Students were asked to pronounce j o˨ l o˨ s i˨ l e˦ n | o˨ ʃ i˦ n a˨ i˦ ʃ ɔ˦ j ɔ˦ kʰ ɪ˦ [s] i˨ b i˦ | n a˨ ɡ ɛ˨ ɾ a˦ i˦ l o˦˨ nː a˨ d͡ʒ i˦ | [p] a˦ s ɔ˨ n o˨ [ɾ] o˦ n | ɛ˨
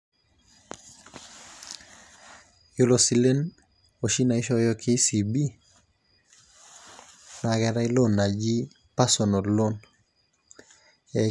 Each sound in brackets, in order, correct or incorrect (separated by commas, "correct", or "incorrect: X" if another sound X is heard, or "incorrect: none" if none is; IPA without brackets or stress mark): correct, correct, incorrect: l